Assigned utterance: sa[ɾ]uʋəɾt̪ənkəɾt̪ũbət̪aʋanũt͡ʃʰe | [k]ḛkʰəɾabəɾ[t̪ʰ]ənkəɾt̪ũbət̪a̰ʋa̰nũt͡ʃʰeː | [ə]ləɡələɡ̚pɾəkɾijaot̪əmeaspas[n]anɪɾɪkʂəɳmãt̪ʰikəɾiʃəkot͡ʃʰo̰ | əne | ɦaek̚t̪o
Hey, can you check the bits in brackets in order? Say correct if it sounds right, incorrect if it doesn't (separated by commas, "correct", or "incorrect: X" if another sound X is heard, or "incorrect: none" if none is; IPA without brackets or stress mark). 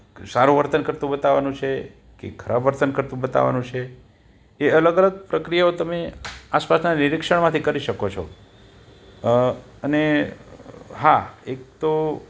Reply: correct, correct, incorrect: t̪, correct, correct